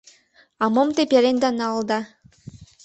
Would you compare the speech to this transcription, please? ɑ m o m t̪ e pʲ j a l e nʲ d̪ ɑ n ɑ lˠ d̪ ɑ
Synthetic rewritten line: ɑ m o m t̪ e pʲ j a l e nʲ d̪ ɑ n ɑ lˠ d̪ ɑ